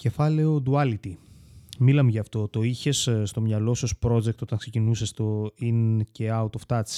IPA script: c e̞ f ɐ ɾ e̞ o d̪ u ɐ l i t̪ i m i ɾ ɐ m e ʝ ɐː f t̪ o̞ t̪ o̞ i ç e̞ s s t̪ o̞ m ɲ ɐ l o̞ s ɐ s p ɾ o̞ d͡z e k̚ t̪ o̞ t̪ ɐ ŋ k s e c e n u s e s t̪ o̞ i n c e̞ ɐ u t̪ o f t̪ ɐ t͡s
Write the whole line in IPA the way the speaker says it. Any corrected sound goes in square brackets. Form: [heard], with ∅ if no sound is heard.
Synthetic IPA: c e̞ f ɐ [l] e̞ o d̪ u ɐ l i t̪ i m i [l] ɐ m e ʝ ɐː f t̪ o̞ t̪ o̞ i ç e̞ s s t̪ o̞ m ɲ ɐ l o̞ s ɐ s p ɾ o̞ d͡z e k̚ t̪ o̞ t̪ ɐ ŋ k s e c [i] n u s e s t̪ o̞ i n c e̞ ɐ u t̪ o f t̪ ɐ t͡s